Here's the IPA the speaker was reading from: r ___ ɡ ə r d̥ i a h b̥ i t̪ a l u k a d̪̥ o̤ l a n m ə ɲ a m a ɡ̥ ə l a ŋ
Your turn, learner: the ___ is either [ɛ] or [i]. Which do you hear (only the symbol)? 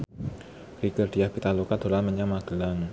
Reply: i